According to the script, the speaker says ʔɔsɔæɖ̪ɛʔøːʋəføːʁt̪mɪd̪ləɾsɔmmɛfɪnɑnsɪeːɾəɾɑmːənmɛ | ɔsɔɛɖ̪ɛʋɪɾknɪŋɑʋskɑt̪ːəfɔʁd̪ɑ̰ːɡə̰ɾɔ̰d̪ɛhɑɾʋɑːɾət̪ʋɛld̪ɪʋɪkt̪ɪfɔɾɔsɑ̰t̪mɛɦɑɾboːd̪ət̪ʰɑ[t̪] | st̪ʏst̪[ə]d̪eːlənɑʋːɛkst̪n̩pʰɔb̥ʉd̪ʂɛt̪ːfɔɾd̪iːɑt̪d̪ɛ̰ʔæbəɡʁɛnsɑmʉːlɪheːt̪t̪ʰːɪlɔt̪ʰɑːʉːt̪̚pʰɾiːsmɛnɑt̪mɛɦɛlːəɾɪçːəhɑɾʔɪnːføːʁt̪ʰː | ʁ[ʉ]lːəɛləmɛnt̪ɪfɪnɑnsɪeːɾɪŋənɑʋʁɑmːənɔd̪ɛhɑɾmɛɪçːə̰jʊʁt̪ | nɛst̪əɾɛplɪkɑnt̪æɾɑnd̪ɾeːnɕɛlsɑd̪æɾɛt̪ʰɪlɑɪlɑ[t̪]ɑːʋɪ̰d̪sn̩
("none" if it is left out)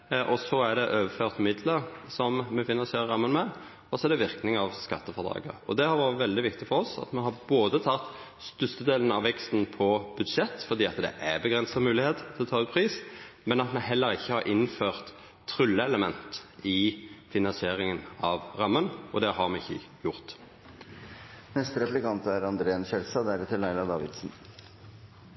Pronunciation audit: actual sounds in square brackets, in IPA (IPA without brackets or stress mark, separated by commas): t̪, ə, ʉ, d̪